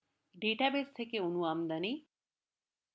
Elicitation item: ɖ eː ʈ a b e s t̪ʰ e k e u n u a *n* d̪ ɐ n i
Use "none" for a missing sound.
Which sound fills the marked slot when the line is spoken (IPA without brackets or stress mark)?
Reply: m